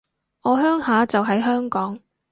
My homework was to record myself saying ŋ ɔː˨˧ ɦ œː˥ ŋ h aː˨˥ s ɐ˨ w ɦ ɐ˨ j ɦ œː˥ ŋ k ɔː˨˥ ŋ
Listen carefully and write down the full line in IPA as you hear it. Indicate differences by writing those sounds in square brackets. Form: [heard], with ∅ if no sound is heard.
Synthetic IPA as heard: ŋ ɔː˨˧ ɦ œː˥ ŋ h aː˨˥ [t͡s] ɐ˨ w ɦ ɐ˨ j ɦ œː˥ ŋ k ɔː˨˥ ŋ

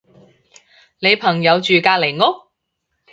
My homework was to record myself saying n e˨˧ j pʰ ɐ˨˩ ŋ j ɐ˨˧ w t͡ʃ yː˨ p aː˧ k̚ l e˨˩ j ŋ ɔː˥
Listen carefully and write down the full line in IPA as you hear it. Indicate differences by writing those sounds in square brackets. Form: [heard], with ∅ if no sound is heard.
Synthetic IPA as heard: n e˨˧ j pʰ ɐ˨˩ ŋ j ɐ˨˧ w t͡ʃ yː˨ [k] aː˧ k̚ l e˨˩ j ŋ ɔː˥

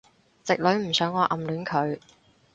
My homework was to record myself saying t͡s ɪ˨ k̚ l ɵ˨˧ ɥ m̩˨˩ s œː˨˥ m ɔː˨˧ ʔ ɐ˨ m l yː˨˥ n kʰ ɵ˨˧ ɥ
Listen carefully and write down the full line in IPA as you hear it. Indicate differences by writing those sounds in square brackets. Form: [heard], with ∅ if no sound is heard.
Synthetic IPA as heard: t͡s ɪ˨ k̚ l ɵ˨˧ ɥ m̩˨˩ s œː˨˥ [ŋ] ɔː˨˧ ʔ ɐ˨ m l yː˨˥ n kʰ ɵ˨˧ ɥ

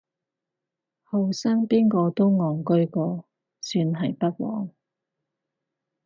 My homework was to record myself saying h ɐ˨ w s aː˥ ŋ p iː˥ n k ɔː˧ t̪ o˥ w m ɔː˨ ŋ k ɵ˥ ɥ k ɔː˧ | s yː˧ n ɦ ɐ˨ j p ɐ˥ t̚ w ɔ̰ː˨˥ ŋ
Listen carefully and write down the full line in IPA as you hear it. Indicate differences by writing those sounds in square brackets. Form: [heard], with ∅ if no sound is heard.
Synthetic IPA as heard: h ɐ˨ w s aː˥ ŋ p iː˥ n k ɔː˧ t̪ o˥ w [ŋ] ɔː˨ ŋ k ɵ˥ ɥ k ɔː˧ | s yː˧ n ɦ ɐ˨ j p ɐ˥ t̚ w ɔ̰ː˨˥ ŋ

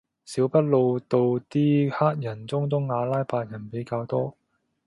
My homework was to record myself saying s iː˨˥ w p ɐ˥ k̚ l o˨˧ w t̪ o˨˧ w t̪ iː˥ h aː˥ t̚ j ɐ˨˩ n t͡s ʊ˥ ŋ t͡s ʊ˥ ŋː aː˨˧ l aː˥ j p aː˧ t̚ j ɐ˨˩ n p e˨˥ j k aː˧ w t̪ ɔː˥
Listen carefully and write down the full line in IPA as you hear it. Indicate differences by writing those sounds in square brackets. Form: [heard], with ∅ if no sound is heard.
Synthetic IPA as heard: s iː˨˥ w p ɐ˥ [t̚] l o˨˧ w t̪ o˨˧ w t̪ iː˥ h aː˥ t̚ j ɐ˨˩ n t͡s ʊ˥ ŋ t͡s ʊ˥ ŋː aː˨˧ l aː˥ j p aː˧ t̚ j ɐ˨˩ n p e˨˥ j k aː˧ w t̪ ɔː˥

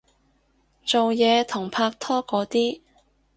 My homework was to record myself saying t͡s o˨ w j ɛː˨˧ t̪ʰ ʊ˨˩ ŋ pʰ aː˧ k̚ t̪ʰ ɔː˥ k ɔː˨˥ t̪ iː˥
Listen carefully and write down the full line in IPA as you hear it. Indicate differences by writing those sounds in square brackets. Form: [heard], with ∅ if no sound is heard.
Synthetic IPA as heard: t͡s o˨ w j ɛː˨˧ t̪ʰ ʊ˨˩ ŋ pʰ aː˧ k̚ t̪ʰ ɔː˥ k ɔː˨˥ t̪ iː˥

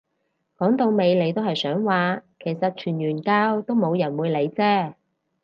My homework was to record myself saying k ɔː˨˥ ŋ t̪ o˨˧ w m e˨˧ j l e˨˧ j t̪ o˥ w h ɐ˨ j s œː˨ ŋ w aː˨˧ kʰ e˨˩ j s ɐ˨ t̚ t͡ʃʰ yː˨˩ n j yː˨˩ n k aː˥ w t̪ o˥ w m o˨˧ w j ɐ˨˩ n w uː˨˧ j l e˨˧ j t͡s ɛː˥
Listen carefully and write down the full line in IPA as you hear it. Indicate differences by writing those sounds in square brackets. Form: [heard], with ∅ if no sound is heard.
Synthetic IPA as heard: k ɔː˨˥ ŋ t̪ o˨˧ w m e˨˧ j l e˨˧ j t̪ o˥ w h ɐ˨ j s [œː˨˥] ŋ w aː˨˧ kʰ e˨˩ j s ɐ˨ t̚ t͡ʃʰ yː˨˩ n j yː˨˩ n k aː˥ w t̪ o˥ w m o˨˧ w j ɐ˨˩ n w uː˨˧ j l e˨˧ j t͡s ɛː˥

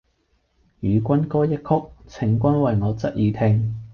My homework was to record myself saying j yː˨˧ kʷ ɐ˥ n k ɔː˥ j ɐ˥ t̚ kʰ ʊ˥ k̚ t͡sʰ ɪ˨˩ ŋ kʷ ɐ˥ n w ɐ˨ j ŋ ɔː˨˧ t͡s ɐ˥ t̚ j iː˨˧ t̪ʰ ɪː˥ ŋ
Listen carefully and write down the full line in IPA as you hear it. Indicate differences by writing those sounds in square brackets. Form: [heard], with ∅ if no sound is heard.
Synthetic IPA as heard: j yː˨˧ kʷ ɐ˥ n k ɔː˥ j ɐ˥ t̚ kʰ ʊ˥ k̚ t͡sʰ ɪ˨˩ ŋ kʷ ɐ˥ n w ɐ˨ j ŋ ɔː˨˧ t͡s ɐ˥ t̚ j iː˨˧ t̪ʰ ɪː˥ ŋ

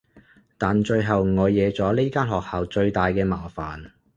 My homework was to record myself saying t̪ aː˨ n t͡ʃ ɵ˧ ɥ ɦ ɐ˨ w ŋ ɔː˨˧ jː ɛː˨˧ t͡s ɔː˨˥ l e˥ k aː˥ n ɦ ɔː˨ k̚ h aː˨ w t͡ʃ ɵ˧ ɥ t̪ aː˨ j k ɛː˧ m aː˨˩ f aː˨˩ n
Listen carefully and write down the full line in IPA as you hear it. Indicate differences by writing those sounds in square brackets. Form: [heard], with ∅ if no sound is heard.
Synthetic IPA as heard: t̪ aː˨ n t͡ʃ ɵ˧ ɥ ɦ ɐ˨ w ŋ ɔː˨˧ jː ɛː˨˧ t͡s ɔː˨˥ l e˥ k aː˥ n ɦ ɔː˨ k̚ h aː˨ w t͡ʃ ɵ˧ ɥ t̪ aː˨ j k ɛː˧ m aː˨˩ f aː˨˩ n

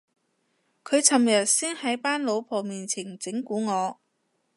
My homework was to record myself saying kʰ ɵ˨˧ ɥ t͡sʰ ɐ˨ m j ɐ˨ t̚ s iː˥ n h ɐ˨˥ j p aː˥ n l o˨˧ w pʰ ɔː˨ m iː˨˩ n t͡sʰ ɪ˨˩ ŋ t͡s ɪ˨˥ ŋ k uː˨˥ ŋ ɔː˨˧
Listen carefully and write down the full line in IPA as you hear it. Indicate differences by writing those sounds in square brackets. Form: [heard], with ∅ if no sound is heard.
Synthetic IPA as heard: kʰ ɵ˨˧ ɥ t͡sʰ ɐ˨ m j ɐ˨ t̚ s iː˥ n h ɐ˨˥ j p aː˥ n l o˨˧ w pʰ ɔː˨ m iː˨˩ n t͡sʰ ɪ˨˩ ŋ t͡s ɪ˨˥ ŋ k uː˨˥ ŋ ɔː˨˧

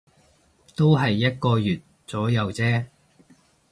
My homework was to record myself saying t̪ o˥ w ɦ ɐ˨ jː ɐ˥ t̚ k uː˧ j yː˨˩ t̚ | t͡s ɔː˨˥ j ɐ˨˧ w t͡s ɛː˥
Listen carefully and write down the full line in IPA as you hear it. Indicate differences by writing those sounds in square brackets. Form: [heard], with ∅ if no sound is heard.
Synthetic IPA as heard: t̪ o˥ w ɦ ɐ˨ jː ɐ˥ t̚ k [ɔː˧] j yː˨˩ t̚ | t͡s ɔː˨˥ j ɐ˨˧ w t͡s ɛː˥

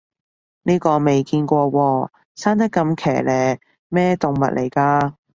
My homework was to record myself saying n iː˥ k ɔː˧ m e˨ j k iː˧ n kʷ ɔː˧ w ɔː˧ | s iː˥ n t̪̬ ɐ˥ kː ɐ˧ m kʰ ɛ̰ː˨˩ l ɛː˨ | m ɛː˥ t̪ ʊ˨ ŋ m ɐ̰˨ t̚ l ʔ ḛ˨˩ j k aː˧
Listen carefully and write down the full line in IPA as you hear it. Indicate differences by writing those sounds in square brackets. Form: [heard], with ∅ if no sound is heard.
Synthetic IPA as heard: n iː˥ k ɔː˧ m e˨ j k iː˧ n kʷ ɔː˧ w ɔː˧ | s [aː˥] n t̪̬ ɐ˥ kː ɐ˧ m kʰ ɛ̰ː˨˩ l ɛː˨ | m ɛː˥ t̪ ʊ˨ ŋ m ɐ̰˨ t̚ l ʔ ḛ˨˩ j k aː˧

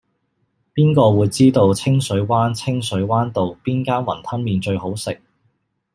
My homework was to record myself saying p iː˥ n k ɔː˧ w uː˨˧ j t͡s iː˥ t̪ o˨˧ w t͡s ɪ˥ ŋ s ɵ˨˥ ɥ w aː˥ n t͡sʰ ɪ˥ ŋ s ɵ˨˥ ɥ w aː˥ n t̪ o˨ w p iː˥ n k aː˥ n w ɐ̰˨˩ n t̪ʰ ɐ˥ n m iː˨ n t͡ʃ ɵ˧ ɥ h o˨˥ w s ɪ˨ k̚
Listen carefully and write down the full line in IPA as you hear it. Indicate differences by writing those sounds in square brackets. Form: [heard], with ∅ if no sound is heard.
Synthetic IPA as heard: p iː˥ n k ɔː˧ w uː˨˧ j t͡s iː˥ t̪ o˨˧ w [t͡sʰ] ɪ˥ ŋ s ɵ˨˥ ɥ w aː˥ n t͡sʰ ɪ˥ ŋ s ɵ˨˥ ɥ w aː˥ n t̪ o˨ w p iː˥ n k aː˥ n w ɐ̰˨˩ n t̪ʰ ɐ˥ n m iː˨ n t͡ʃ ɵ˧ ɥ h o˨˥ w s ɪ˨ k̚

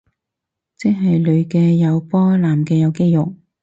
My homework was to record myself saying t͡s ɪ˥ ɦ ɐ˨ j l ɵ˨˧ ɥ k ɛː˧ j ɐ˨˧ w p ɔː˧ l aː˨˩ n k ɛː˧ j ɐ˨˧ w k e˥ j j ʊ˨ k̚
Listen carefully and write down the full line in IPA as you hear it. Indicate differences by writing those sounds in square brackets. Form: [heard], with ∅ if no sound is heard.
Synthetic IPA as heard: t͡s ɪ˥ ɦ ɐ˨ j l ɵ˨˧ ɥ k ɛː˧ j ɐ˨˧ w p [ɔː˥] l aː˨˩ [m] k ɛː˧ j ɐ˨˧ w k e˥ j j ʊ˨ k̚

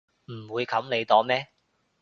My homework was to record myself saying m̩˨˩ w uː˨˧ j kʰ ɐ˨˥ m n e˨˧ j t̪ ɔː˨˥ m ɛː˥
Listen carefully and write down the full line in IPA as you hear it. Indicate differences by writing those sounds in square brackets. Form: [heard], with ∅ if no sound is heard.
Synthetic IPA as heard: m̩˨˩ w uː˨˧ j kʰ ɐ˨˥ m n e˨˧ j t̪ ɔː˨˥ m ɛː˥

